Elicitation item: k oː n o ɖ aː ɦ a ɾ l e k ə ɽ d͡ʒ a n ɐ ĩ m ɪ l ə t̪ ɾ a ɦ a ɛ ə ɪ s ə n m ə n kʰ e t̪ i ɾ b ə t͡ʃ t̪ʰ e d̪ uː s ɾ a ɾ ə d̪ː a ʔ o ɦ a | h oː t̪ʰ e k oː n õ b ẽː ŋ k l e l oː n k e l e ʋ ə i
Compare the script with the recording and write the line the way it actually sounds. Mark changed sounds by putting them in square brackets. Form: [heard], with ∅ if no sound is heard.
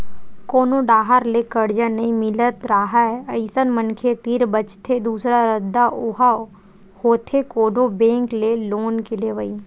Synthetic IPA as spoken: k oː n o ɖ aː ɦ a ɾ l e k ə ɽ d͡ʒ a n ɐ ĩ m ɪ l ə t̪ ɾ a ɦ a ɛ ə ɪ s ə n m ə n kʰ e t̪ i ɾ b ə t͡ʃ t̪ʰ e d̪ uː s ɾ a ɾ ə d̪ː a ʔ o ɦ a | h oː t̪ʰ e k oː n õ b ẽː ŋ k l e l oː n k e l e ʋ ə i

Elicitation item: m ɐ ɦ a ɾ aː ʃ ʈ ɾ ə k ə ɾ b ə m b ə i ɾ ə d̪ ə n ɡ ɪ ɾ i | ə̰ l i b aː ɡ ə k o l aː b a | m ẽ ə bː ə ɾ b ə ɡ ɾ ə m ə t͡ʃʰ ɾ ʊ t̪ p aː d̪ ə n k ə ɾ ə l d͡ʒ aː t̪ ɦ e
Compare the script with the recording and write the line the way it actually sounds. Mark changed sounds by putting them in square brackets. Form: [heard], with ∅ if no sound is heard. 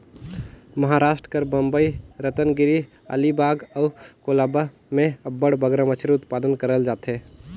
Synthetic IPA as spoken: m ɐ ɦ a ɾ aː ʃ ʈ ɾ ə k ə ɾ b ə m b ə i ɾ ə [t̪] ə n ɡ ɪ ɾ i | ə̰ l i b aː ɡ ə k o l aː b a | m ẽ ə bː ə [ɽ] b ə ɡ ɾ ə m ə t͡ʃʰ ɾ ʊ t̪ p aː d̪ ə n k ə ɾ ə l d͡ʒ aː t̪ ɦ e

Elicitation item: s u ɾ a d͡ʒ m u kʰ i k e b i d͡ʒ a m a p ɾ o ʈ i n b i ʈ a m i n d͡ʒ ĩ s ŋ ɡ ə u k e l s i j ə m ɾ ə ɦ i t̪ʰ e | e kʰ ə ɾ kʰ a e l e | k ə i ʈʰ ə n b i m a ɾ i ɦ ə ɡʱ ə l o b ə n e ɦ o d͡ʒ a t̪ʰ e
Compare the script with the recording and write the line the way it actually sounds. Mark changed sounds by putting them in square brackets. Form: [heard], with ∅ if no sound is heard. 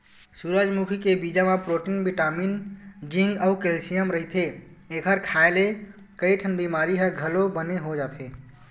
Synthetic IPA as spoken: s u ɾ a d͡ʒ m u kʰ i k e b i d͡ʒ a m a p ɾ o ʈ i n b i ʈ a m i n d͡ʒ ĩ [∅] ŋ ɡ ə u k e l s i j ə m ɾ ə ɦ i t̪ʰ e | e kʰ ə ɾ kʰ a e l e | k ə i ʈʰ ə n b i m a ɾ i ɦ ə ɡʱ ə l o b ə n e ɦ o d͡ʒ a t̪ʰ e

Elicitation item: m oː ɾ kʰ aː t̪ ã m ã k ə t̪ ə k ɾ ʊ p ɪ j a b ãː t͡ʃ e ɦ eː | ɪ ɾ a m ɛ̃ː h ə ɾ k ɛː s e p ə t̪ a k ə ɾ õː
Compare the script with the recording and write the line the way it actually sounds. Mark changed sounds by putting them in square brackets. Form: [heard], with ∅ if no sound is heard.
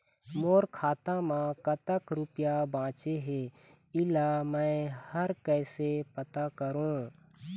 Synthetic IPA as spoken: m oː ɾ kʰ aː t̪ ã m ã k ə t̪ ə k ɾ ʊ p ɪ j a b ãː t͡ʃ e ɦ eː | ɪ [l] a m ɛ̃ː h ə ɾ k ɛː s e p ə t̪ a k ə ɾ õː

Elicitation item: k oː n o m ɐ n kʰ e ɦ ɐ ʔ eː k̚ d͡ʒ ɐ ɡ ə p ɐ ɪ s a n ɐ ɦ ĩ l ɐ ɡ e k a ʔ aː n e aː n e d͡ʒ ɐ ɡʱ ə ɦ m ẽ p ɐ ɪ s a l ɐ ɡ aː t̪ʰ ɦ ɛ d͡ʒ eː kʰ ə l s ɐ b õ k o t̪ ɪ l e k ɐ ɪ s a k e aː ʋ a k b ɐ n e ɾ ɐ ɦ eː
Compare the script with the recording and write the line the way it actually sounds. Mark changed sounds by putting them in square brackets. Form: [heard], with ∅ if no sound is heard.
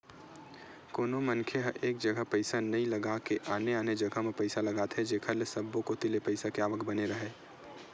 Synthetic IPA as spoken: k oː n o m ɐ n kʰ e ɦ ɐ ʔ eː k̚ d͡ʒ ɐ ɡ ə p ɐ ɪ s a n ɐ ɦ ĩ l ɐ ɡ [a] k [e] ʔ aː n e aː n e d͡ʒ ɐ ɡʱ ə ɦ m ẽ p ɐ ɪ s a l ɐ ɡ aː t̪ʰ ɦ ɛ d͡ʒ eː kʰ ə l s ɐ b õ k o t̪ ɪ l e [p] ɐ ɪ s a k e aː ʋ [ə] k b ɐ n e ɾ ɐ ɦ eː

